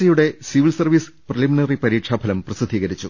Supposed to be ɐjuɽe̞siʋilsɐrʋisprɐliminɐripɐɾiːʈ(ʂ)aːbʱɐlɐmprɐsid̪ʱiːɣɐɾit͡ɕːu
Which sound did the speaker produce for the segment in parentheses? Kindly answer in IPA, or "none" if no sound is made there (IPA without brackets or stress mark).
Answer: ʂ